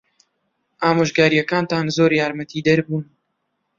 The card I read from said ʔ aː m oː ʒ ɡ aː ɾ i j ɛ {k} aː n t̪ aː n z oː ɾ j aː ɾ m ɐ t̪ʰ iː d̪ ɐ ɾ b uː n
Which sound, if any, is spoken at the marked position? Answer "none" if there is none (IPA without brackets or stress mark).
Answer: k